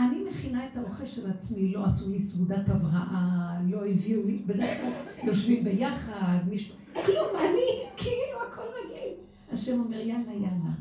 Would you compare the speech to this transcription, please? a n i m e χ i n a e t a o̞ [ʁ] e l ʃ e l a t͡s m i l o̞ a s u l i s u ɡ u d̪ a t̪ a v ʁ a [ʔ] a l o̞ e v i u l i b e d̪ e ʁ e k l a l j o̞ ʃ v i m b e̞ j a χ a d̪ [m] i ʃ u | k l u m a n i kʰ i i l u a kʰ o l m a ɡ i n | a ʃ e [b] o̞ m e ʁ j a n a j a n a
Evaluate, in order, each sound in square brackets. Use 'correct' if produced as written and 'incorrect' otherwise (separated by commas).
incorrect, correct, correct, incorrect